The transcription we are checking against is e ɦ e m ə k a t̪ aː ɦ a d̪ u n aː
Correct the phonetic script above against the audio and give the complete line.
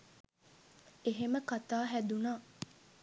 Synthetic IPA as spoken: e ɦ e m ə k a t̪ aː ɦ æ d̪ u n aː